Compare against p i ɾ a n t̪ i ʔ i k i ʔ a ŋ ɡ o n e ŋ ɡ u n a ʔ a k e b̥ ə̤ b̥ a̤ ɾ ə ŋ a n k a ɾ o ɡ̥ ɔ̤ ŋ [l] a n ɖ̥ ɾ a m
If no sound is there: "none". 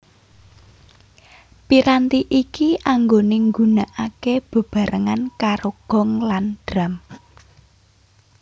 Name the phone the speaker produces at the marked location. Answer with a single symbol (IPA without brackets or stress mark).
l